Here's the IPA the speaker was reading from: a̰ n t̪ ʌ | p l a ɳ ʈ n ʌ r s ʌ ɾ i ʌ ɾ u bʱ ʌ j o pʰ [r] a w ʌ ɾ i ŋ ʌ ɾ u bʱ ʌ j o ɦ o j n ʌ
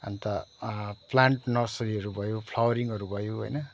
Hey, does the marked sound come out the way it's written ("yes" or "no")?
no